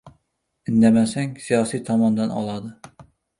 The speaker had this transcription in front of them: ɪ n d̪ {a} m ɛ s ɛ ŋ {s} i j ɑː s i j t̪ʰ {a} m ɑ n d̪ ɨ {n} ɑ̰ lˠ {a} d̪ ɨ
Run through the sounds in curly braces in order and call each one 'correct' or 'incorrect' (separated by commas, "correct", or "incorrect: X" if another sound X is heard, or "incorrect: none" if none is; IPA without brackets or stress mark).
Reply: incorrect: ɛ, correct, incorrect: ɑ, correct, incorrect: ɑ